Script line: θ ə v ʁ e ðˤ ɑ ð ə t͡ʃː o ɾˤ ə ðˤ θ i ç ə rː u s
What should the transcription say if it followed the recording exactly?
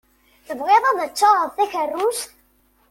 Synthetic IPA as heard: θ ə v ʁ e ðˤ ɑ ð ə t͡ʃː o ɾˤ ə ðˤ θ æ ç ə rː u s